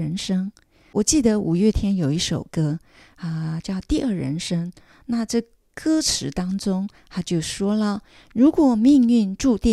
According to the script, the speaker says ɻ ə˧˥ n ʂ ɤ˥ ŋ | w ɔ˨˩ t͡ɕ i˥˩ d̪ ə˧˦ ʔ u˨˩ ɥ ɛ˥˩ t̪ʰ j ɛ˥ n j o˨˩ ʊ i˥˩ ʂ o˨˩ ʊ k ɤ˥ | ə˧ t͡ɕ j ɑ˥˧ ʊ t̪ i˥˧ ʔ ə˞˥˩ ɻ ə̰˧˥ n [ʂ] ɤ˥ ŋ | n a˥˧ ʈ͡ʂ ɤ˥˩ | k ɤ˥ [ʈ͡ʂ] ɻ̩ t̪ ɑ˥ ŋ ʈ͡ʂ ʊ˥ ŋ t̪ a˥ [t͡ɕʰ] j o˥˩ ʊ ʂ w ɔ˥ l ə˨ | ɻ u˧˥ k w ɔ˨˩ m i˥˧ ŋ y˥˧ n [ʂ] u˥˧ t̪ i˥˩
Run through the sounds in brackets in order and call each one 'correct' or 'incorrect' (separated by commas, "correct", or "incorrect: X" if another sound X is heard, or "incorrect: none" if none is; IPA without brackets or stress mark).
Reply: correct, incorrect: ʈ͡ʂʰ, incorrect: t͡ɕ, incorrect: ʈ͡ʂ